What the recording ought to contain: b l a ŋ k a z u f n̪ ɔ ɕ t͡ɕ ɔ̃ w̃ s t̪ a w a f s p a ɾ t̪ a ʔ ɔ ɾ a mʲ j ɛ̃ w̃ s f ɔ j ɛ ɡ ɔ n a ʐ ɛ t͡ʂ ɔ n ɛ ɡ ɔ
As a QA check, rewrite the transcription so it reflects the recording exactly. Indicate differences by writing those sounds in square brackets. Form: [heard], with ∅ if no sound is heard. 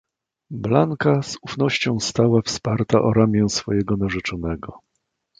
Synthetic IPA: b l a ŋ k a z u f n̪ ɔ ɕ t͡ɕ ɔ̃ w̃ s t̪ a w a f s p a ɾ t̪ a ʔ ɔ ɾ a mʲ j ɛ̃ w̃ s f ɔ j ɛ ɡ ɔ n a ʐ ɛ t͡ʂ ɔ n ɛ ɡ ɔ